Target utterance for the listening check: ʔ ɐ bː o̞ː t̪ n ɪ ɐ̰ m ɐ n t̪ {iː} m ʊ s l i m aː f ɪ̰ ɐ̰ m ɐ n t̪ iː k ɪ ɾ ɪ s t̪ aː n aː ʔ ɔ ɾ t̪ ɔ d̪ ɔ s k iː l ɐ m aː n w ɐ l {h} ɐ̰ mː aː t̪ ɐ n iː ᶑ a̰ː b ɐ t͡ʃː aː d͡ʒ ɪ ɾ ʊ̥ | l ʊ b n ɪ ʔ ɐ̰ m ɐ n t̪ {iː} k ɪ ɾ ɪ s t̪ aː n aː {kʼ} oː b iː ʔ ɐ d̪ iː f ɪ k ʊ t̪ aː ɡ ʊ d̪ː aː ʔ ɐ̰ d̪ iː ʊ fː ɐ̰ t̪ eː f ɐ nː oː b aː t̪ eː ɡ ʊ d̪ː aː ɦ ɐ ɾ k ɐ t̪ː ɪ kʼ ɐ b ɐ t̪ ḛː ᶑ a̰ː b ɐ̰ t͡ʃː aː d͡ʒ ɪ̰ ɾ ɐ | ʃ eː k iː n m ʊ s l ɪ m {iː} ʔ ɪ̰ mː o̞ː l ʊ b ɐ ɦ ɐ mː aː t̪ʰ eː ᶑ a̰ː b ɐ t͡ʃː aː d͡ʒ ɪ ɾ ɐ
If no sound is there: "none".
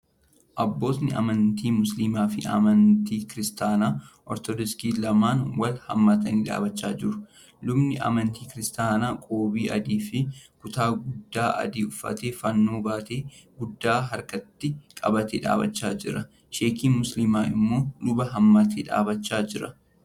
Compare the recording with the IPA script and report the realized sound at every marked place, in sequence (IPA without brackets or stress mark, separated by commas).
iː, h, iː, kʼ, aː